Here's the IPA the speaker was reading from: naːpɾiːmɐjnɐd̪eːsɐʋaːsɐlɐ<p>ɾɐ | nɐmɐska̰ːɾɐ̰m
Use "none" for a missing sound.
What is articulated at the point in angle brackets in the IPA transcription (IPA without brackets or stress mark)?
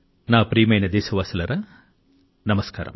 none